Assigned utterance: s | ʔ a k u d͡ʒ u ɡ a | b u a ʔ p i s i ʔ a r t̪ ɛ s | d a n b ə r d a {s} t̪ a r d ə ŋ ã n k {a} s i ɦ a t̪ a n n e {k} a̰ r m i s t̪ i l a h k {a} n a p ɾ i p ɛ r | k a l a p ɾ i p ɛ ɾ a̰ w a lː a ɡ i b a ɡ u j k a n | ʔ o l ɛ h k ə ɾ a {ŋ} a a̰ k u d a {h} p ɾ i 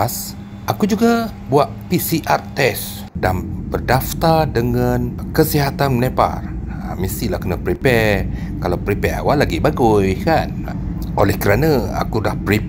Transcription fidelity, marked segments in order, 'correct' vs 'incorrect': incorrect: f, incorrect: ə, incorrect: p, incorrect: ə, incorrect: n, correct

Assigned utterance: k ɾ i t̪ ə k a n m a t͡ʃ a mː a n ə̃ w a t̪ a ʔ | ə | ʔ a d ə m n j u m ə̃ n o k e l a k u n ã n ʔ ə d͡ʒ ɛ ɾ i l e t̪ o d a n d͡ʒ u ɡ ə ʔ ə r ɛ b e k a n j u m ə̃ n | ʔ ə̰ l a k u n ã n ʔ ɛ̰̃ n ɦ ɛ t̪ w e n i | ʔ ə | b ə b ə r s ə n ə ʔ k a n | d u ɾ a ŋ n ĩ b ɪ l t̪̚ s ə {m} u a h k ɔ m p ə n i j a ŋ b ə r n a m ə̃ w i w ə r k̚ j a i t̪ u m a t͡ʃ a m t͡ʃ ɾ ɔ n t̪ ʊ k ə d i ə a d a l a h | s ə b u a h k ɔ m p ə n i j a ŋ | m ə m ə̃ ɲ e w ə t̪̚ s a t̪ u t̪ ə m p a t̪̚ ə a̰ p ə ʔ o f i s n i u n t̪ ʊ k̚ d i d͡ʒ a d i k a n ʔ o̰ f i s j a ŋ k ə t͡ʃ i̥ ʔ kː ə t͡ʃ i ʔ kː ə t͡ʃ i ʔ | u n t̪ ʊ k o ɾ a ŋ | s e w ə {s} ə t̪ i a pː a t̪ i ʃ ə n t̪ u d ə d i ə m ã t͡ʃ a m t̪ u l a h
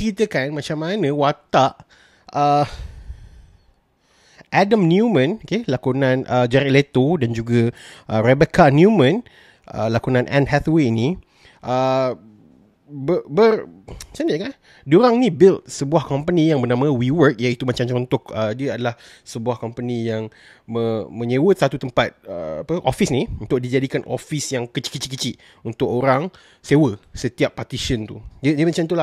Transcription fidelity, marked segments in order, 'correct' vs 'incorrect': incorrect: b, correct

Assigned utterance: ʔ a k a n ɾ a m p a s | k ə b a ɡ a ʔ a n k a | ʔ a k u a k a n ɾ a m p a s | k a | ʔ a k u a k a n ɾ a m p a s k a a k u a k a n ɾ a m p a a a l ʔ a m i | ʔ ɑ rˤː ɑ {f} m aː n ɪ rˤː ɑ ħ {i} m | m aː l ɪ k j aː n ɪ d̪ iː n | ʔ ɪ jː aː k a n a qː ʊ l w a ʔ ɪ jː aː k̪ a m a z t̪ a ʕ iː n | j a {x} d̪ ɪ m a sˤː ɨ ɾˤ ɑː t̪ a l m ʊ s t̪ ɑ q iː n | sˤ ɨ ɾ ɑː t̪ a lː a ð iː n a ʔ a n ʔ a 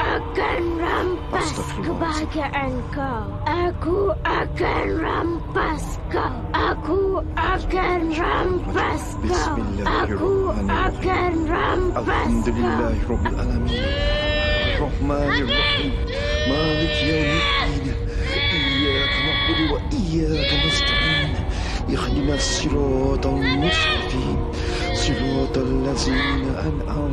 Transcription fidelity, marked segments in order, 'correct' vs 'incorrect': incorrect: ħ, incorrect: iː, correct

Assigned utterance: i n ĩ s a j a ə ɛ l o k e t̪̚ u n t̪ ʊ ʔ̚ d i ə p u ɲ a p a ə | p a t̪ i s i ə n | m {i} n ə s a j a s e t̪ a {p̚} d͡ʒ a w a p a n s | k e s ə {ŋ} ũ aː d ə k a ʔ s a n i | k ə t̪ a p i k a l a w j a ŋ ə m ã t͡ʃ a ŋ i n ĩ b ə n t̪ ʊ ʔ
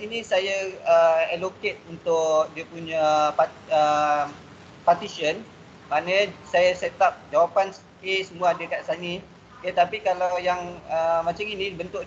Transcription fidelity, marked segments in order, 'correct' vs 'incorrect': incorrect: a, correct, incorrect: m

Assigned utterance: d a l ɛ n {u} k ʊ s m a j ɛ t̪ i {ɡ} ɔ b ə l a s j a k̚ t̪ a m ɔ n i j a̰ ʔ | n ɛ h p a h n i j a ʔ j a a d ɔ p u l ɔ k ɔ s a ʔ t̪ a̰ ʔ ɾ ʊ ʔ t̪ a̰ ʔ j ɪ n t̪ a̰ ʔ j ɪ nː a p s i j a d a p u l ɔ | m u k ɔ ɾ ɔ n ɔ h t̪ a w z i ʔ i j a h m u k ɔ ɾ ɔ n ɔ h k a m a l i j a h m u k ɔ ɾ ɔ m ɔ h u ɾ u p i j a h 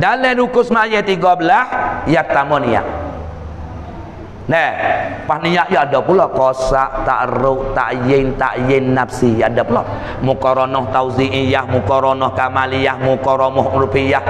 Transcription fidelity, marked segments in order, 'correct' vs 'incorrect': correct, correct

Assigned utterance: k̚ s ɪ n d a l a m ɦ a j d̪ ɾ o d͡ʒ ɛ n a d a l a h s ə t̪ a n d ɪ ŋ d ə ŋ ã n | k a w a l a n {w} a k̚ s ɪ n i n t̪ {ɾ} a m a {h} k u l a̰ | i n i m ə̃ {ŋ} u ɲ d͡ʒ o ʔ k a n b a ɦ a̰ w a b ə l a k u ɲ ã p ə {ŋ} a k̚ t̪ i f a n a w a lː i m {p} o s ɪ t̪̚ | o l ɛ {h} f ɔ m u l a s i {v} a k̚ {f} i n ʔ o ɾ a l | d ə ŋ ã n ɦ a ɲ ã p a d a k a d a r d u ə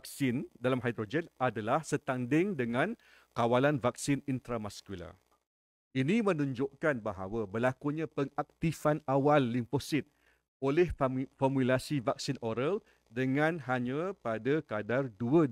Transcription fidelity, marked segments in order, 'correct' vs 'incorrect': incorrect: v, correct, incorrect: s, incorrect: n, correct, correct, correct, correct, incorrect: s

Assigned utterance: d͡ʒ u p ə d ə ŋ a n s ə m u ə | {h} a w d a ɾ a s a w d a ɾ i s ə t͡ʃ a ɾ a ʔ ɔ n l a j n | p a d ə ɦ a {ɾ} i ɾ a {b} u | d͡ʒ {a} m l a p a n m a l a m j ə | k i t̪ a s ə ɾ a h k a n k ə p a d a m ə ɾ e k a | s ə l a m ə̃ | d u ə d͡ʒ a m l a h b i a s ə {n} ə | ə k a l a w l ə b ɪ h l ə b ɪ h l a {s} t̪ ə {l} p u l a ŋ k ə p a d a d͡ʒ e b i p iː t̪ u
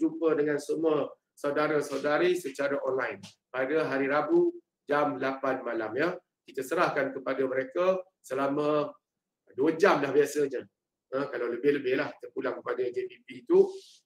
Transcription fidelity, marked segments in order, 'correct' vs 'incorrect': incorrect: s, correct, correct, correct, incorrect: ɲ, incorrect: h, incorrect: r

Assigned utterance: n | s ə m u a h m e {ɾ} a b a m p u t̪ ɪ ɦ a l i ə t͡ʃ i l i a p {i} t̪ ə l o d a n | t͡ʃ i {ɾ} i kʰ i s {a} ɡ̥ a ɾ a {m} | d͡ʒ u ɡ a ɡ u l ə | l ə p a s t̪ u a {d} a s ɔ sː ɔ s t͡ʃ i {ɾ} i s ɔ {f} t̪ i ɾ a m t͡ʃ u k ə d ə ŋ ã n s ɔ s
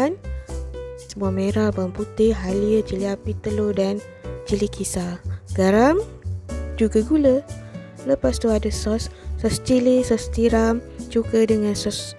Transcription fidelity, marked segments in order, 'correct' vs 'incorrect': correct, correct, incorrect: l, correct, correct, correct, incorrect: l, incorrect: s

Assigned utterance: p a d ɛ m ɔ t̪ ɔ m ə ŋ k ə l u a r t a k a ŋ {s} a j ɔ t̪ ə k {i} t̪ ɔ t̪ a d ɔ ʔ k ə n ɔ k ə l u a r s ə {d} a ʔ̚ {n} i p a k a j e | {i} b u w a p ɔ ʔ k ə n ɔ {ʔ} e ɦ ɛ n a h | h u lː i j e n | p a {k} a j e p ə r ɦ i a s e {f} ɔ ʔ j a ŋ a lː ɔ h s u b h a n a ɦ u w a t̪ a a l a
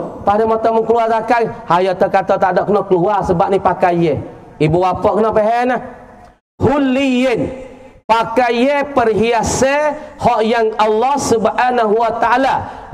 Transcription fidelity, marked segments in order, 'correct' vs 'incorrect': incorrect: h, incorrect: a, incorrect: b, correct, correct, incorrect: p, correct, incorrect: h

